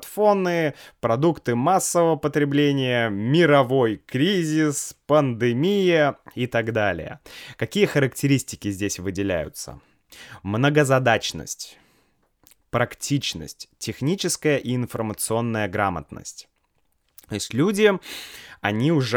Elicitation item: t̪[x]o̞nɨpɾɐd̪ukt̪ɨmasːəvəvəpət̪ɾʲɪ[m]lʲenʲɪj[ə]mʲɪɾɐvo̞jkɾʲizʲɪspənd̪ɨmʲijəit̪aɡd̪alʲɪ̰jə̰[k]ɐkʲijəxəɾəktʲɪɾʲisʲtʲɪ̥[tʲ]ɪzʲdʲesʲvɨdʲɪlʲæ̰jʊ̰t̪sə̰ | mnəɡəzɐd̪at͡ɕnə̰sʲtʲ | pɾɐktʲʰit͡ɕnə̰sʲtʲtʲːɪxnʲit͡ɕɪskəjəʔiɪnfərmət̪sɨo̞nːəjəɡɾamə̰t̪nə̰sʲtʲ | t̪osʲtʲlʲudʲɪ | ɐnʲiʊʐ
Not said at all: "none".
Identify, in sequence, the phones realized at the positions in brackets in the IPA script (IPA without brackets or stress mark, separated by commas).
f, b, ə, k, kʲ